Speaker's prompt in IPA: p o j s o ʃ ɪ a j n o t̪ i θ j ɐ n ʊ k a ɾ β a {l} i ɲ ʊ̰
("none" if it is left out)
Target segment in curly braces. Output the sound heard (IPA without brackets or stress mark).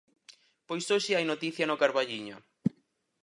ʎ